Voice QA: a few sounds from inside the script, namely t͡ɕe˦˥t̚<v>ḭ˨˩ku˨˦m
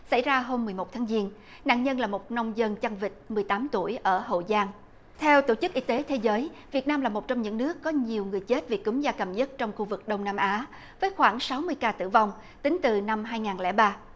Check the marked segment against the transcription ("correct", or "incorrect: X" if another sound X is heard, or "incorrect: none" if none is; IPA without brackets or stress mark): correct